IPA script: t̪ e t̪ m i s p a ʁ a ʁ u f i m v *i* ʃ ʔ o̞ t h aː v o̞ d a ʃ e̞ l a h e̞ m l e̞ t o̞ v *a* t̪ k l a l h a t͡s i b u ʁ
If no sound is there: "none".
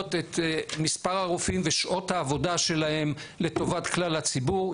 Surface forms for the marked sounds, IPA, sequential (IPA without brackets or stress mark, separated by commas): e, a